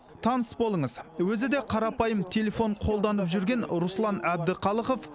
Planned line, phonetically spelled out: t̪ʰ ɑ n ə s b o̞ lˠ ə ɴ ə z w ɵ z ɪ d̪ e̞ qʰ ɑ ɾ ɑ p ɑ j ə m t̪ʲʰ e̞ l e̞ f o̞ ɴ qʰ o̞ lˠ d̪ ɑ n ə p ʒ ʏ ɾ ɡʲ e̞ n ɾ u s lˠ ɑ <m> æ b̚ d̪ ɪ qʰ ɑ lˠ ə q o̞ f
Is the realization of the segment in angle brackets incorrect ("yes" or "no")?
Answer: yes